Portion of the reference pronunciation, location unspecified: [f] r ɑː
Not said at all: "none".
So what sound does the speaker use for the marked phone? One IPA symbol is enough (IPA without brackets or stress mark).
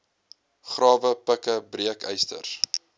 χ